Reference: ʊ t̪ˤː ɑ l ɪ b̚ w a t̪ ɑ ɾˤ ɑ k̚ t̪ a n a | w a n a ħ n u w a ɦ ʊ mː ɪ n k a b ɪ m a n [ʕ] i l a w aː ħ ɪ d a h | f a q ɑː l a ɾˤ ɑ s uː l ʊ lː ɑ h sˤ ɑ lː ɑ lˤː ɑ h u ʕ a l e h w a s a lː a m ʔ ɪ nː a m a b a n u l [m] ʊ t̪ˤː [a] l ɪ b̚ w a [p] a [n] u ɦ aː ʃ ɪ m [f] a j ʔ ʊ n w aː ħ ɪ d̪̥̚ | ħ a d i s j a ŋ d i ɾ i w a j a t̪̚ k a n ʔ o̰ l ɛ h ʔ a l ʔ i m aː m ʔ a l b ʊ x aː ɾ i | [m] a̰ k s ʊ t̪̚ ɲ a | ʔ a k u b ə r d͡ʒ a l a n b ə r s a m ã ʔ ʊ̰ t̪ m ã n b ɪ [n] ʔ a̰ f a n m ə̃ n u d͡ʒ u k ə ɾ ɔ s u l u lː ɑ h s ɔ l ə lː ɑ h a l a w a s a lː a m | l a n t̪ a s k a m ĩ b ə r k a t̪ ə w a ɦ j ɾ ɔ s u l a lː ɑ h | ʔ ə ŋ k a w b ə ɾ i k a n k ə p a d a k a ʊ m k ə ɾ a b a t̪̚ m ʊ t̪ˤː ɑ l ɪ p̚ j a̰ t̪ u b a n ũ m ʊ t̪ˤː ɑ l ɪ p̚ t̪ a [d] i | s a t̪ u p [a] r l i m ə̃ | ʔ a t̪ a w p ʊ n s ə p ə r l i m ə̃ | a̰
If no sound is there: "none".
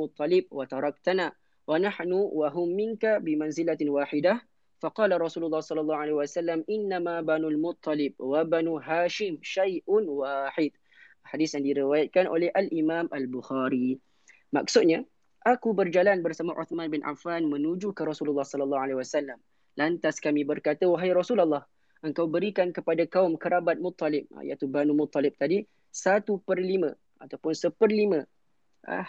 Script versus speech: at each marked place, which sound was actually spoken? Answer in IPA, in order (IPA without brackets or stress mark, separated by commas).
z, m, ɑ, b, n, ʃ, m, n, d, ə